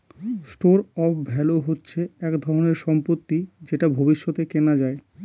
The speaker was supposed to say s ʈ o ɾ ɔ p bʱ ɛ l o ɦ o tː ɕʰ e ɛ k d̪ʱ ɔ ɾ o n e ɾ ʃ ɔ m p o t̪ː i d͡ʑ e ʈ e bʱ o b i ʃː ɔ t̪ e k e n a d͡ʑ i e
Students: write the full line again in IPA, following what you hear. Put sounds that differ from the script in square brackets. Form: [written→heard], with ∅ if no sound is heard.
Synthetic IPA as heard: s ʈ o ɾ ɔ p bʱ ɛ l o ɦ o tː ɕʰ e ɛ k d̪ʱ ɔ ɾ o n e ɾ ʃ ɔ m p o t̪ː i d͡ʑ e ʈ [e→a] bʱ o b i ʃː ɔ t̪ e k e n a d͡ʑ [i→a] e